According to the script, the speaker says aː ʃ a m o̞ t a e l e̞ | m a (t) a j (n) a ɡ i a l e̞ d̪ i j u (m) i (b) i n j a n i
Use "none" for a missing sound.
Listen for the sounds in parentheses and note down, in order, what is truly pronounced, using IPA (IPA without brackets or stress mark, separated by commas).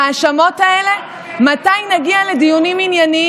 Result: t, n, n, m